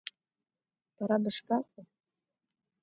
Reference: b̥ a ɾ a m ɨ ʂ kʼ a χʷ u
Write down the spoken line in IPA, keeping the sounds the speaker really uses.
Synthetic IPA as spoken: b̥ a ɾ a b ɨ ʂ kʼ a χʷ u